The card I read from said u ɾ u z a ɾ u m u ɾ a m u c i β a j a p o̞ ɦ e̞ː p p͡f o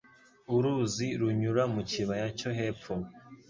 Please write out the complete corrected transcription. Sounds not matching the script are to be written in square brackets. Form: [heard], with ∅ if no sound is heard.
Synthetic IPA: u ɾ u z [i] ɾ u [ɲ] u ɾ a m u c i β a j a [c] o̞ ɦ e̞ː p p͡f o